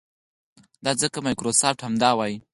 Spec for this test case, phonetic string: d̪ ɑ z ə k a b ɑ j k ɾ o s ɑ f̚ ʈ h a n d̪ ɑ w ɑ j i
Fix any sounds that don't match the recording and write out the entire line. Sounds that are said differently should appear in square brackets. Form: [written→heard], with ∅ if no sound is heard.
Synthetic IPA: d̪ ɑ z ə k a [b→m] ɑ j k ɾ o s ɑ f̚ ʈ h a [n→m] d̪ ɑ w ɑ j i